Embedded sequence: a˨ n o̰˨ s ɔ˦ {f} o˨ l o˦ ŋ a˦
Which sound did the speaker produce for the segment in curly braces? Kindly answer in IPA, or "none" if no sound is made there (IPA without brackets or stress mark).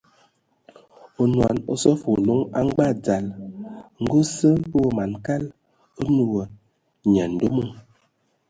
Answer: f